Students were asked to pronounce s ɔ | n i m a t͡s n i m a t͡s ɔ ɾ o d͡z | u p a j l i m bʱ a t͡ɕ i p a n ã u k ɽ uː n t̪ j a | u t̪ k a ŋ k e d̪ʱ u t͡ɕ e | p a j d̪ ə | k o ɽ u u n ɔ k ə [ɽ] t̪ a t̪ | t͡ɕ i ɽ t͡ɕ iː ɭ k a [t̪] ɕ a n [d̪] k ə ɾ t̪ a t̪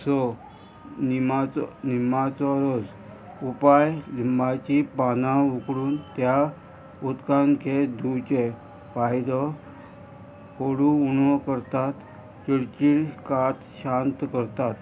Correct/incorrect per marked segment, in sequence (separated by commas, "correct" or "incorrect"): incorrect, correct, incorrect